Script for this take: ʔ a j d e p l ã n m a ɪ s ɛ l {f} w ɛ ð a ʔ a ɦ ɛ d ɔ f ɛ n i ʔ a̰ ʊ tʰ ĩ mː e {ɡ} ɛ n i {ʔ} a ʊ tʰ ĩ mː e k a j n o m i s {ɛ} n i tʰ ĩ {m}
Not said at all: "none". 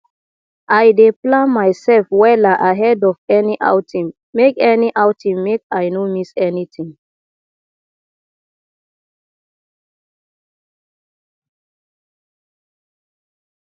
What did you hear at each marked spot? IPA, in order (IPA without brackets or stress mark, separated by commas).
f, k, ʔ, ɛ, ŋ